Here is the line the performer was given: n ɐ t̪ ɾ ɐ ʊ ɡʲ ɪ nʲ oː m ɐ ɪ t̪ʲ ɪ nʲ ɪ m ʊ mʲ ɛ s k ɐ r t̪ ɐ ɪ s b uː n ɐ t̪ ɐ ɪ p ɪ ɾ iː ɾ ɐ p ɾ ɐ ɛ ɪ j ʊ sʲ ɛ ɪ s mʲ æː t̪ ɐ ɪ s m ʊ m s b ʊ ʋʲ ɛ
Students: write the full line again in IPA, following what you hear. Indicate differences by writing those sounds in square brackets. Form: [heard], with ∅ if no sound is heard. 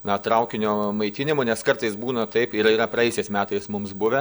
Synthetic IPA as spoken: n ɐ t̪ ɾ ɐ ʊ [kʲ] ɪ nʲ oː m ɐ ɪ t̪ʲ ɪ nʲ ɪ m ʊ [nʲ] ɛ s k ɐ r t̪ ɐ ɪ s b uː n ɐ t̪ ɐ ɪ p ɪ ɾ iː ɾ ɐ p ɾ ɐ ɛ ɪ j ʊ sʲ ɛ ɪ s mʲ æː t̪ ɐ ɪ s m ʊ m s b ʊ ʋʲ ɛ